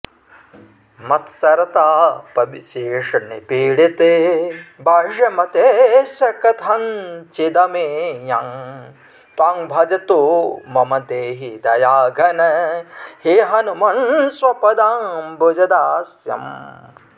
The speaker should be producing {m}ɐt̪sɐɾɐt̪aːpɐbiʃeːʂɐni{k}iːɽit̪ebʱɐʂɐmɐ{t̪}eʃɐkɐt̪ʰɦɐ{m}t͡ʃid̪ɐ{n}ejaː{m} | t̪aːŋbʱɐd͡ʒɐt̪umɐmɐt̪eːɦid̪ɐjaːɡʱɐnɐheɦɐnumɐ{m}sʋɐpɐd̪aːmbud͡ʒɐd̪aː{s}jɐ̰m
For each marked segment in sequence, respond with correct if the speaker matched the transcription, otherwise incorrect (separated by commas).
correct, incorrect, correct, incorrect, incorrect, incorrect, incorrect, correct